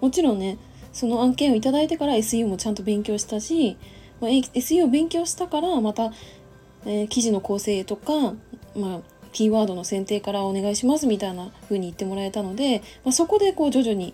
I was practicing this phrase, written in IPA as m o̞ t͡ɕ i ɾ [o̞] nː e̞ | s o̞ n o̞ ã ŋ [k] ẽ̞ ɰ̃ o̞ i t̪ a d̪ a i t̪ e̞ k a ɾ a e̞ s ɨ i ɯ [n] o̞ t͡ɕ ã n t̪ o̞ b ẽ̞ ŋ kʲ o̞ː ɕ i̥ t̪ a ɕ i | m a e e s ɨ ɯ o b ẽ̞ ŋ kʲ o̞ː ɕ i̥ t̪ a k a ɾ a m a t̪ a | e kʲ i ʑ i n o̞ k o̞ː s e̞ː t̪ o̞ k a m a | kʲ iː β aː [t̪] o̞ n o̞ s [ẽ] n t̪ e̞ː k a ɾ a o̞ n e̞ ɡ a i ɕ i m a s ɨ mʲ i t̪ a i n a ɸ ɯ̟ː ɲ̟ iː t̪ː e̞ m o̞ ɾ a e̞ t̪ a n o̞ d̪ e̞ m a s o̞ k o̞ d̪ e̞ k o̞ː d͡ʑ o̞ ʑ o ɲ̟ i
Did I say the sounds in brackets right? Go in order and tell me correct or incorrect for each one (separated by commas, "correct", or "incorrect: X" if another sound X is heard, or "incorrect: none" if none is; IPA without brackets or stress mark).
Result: incorrect: õ̞, correct, incorrect: m, incorrect: d̪, correct